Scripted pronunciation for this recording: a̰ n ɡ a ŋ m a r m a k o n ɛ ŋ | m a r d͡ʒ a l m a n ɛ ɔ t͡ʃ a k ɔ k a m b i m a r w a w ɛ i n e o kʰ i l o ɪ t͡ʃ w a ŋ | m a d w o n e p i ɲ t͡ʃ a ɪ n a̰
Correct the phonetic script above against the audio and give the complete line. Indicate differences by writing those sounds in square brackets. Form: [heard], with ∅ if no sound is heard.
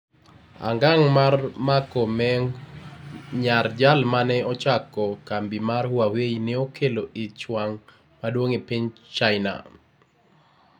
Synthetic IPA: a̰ [ŋ] ɡ a ŋ m a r m a k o [m] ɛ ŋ | [ɲ] a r d͡ʒ a l m a n ɛ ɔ t͡ʃ a k ɔ k a m b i m a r w a w [e] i n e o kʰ [e] l o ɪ t͡ʃ w a ŋ | m a d w o [ŋ] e p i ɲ t͡ʃ a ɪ n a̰